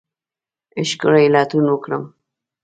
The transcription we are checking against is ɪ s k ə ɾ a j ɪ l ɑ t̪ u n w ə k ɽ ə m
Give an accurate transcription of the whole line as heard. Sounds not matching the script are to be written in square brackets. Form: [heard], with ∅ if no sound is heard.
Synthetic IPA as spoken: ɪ [ʃ] k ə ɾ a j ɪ l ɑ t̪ u n w ə k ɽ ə m

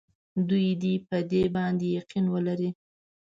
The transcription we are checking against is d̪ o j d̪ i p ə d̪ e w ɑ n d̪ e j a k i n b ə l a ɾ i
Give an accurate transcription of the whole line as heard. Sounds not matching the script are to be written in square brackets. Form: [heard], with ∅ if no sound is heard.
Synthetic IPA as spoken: d̪ [u] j d̪ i p ə d̪ e [b] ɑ n d̪ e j a [q] i n [w] ə l a ɾ i

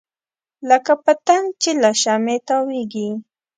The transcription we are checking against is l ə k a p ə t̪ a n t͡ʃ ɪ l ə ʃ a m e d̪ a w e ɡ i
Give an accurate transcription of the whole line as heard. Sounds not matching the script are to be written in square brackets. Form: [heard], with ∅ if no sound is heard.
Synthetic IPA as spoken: l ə k a p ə t̪ a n t͡ʃ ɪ l [a] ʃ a m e [t̪] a w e ɡ i

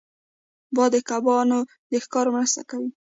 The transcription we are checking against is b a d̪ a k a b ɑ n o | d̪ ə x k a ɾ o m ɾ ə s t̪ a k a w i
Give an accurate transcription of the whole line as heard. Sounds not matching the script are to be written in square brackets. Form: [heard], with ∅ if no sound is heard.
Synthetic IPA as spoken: b [ɑ] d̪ [ə] k a b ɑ n o | d̪ ə x k [ɑ] ɾ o m ɾ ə s t̪ a k a w i

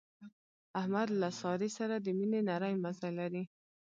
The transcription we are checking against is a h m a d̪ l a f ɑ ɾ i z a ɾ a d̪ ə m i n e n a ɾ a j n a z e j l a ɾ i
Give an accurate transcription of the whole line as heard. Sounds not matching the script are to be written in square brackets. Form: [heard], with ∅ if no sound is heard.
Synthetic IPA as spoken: a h m a d̪ l a [s] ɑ ɾ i [s] a ɾ a d̪ ə m i n e n a ɾ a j [m] a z [a] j l a ɾ i

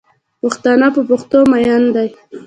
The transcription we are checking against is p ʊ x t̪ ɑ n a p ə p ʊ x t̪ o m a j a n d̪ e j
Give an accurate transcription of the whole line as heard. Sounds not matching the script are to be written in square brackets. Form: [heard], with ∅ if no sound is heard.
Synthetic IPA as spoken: p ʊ x t̪ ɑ n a p ə p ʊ x t̪ o m a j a n d̪ [a] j

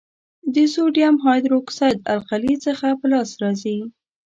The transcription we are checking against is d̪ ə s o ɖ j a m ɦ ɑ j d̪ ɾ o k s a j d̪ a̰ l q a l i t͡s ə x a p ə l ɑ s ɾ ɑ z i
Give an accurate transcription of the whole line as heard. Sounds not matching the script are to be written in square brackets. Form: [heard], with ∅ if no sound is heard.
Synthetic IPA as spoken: d̪ ə s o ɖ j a m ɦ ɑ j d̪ ɾ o k s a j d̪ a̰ l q a l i t͡s ə x a p ə l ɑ s ɾ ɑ z i

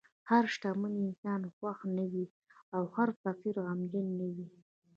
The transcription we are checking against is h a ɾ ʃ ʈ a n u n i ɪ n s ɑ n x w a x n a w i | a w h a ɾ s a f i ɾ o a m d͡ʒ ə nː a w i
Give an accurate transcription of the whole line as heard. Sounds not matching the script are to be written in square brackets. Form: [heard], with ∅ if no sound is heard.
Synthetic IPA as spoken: h a ɾ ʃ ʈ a [m] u n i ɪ n s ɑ n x w a x n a w i | a w h a ɾ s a f i ɾ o a m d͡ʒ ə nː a w i

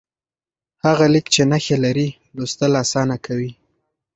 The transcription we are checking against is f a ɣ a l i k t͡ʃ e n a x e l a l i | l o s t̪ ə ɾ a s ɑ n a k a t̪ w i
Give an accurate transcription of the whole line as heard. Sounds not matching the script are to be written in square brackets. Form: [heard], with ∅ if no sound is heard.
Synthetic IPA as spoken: [h] a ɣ a l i k t͡ʃ e n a x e l a [ɾ] i | l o s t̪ ə [l] a s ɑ n a k a [∅] w i

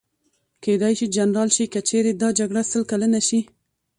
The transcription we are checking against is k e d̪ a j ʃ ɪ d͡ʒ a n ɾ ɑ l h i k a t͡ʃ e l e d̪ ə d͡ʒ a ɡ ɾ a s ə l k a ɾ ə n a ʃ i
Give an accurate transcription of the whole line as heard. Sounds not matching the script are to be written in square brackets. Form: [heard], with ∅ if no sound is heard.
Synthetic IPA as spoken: k e d̪ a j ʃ [i] d͡ʒ a n ɾ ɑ l [ʃ] i k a t͡ʃ e [ɾ] e d̪ [ɑ] d͡ʒ a ɡ [ɽ] a s ə l k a [l] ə n a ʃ i

